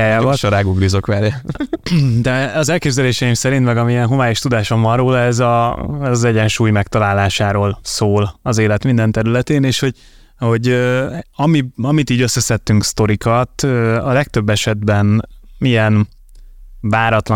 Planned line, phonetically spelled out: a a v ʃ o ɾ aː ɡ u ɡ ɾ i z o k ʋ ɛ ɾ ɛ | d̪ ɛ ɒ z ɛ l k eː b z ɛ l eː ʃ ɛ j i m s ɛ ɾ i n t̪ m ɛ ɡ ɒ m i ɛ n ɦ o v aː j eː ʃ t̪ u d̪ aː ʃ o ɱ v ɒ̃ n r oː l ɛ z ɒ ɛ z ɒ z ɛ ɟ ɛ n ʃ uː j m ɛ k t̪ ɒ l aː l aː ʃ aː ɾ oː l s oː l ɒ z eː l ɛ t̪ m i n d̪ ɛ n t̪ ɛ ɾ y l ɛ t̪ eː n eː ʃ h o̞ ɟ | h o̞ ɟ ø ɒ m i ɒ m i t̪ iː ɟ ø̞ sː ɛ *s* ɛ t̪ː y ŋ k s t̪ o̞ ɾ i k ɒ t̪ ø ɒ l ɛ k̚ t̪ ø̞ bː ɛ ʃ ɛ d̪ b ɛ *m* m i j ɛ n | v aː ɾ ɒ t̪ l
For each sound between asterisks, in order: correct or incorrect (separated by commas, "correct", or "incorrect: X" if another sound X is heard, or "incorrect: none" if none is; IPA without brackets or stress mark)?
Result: correct, incorrect: n